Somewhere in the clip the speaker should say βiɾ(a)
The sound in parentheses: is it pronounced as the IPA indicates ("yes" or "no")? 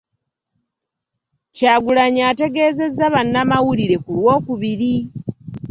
no